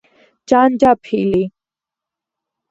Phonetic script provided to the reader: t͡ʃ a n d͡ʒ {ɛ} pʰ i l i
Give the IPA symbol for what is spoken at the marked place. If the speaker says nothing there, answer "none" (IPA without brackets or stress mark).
a